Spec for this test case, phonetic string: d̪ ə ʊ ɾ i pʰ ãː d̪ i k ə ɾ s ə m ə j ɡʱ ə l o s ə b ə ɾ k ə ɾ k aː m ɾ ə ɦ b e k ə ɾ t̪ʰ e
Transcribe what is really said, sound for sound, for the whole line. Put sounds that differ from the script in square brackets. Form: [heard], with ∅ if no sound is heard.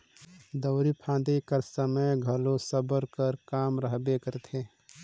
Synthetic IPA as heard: d̪ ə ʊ ɾ i pʰ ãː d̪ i k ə ɾ s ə m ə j ɡʱ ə l o s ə b ə ɾ k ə ɾ k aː m ɾ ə ɦ b e k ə ɾ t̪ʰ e